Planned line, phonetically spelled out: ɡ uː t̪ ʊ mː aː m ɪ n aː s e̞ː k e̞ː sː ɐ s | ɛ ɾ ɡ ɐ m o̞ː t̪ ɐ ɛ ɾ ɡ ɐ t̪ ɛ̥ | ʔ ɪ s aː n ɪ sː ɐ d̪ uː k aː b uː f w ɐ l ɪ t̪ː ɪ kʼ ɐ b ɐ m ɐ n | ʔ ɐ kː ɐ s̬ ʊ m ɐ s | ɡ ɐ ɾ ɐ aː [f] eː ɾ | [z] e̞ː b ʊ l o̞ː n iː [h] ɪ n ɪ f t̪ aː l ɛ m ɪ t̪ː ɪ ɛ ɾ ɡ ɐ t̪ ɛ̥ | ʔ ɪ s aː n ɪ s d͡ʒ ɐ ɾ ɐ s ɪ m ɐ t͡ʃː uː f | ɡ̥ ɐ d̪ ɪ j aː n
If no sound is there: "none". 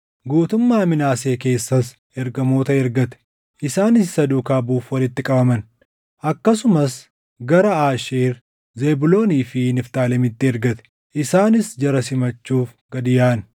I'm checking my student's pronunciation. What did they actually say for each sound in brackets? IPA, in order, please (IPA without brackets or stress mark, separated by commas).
ʃ, z, f